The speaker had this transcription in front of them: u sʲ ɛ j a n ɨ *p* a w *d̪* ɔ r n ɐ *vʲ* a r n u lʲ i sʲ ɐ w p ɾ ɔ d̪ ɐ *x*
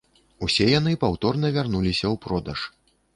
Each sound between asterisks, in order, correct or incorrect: correct, incorrect: t̪, correct, incorrect: ʂ

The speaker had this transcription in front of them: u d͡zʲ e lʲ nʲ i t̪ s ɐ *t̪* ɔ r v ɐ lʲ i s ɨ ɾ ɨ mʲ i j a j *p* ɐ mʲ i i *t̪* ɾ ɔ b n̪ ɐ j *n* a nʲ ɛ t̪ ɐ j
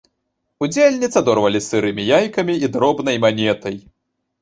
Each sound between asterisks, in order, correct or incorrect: incorrect: d̪, incorrect: k, incorrect: d̪, incorrect: m

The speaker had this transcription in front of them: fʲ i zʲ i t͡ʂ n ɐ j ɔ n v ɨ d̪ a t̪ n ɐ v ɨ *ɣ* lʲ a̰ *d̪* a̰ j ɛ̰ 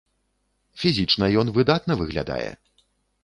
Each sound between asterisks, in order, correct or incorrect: correct, correct

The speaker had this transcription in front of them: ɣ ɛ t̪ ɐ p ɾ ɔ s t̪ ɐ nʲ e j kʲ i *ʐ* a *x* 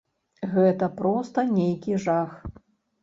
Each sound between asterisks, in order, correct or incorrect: correct, correct

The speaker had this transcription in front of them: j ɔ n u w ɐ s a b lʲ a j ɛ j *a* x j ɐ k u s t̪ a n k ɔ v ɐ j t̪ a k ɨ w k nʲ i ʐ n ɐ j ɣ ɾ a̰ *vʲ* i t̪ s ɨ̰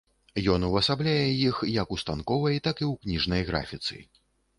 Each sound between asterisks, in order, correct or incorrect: incorrect: i, incorrect: fʲ

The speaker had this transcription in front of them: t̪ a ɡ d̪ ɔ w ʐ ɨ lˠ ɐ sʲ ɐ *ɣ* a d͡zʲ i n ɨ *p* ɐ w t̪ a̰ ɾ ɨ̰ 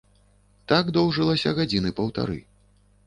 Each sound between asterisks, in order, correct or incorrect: correct, correct

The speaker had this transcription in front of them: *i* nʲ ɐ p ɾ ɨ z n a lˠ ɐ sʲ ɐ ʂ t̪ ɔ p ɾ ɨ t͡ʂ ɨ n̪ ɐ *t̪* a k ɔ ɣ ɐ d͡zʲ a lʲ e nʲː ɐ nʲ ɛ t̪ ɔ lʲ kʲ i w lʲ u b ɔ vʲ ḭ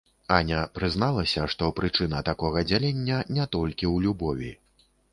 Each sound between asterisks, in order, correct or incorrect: incorrect: a, correct

